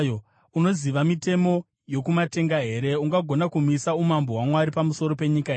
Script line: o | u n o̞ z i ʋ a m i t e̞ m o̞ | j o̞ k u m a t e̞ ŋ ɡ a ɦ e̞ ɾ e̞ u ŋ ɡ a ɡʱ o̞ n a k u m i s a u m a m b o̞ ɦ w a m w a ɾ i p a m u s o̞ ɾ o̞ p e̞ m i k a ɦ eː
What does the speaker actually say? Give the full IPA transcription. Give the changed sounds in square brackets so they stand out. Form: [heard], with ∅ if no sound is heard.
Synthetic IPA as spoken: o | u n o̞ z i ʋ a m i t e̞ m o̞ | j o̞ k u m a t e̞ ŋ ɡ a ɦ e̞ ɾ e̞ u ŋ ɡ a ɡʱ o̞ n a k u m i s a u m a m b o̞ ɦ w a m w a ɾ i p a m u s o̞ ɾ o̞ p e̞ [ɲ] i k a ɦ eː